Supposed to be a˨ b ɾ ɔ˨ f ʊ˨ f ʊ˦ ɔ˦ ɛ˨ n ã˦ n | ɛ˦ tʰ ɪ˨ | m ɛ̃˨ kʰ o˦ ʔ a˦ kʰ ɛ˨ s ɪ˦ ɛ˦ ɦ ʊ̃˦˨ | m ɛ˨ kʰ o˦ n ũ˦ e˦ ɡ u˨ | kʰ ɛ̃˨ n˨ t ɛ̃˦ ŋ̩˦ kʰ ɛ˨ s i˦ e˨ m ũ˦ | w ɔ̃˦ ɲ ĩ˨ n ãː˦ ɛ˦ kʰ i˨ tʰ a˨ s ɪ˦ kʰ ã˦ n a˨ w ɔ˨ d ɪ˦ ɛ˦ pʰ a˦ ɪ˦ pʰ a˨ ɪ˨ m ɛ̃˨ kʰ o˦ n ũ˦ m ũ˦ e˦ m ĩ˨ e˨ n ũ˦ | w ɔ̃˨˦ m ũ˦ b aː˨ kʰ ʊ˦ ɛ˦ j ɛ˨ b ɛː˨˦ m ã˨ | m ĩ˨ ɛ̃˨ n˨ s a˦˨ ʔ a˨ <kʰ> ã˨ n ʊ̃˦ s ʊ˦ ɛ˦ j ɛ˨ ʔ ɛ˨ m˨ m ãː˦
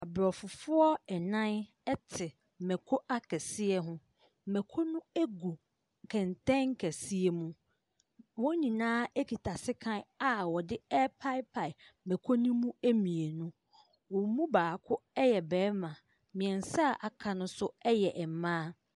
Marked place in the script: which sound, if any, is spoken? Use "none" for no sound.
kʰ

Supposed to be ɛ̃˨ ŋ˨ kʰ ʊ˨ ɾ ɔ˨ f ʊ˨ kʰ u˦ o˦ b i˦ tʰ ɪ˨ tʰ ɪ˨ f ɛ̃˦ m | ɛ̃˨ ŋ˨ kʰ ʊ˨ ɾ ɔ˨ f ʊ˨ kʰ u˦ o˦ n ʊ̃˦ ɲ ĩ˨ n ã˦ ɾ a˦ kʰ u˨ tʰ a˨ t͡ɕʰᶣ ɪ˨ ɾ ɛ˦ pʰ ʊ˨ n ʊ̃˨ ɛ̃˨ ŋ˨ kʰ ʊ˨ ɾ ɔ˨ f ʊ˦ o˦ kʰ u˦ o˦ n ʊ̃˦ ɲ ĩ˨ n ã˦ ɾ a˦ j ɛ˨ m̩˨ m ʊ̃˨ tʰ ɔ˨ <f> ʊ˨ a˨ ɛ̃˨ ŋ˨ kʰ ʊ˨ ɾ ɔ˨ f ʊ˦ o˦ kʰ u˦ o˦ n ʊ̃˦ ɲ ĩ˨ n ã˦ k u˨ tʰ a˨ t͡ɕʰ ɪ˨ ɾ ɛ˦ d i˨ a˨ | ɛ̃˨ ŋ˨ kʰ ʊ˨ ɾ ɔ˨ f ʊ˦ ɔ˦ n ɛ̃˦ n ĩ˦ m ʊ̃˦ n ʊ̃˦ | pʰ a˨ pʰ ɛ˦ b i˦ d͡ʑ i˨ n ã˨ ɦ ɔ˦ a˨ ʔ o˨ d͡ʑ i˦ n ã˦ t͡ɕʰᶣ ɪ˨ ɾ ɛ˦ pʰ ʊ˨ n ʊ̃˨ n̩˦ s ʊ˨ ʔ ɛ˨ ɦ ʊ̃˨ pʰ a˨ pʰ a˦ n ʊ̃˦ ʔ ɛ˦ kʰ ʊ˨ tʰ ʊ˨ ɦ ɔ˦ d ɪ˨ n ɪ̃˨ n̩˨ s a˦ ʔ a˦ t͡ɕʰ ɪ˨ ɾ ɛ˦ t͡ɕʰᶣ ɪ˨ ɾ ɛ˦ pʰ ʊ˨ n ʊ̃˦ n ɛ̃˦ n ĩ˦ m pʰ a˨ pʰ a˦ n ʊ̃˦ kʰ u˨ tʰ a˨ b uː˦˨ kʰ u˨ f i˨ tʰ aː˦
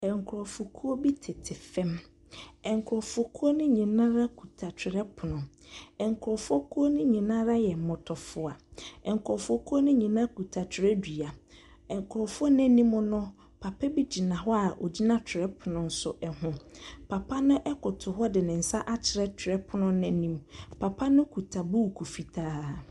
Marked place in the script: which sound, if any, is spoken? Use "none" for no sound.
f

